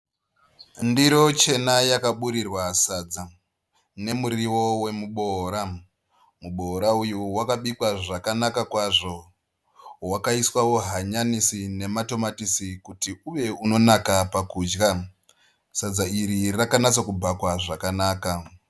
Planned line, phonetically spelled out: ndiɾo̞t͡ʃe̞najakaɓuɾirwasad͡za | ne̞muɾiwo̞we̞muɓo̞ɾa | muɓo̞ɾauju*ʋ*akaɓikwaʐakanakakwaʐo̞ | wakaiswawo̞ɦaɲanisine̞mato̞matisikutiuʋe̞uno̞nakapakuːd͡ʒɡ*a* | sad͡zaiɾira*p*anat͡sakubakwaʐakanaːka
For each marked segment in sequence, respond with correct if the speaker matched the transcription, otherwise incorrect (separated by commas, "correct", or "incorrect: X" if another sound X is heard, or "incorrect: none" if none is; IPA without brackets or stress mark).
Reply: incorrect: w, correct, incorrect: k